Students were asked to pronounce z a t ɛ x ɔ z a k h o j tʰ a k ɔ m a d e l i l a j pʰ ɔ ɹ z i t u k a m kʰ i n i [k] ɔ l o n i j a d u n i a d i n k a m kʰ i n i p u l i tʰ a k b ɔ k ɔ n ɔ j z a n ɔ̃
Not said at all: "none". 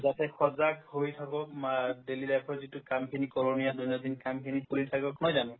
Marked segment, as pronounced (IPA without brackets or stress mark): k